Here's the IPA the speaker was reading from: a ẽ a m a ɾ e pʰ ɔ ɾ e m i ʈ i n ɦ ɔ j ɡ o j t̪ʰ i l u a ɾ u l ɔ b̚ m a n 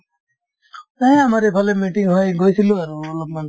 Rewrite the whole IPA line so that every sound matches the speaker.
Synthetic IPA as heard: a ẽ a m a ɾ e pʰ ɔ l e m i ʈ i ŋ ɦ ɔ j ɡ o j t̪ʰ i l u a ɾ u l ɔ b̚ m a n